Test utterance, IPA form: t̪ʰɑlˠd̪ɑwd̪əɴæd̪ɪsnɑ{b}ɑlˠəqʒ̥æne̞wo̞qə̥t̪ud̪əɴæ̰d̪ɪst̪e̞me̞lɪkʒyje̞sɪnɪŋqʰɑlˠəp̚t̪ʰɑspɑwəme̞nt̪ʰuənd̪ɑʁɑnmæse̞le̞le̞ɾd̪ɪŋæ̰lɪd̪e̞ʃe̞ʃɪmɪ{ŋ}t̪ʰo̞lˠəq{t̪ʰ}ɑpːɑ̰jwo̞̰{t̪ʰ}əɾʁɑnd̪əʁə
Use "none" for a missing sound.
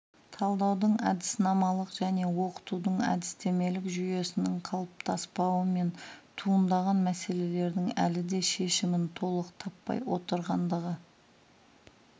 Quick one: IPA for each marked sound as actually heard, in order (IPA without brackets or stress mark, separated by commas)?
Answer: m, n, t̪ʰ, t̪